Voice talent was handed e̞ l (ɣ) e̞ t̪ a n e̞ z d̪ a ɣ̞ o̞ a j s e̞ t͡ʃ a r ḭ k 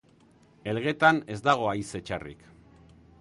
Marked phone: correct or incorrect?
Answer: correct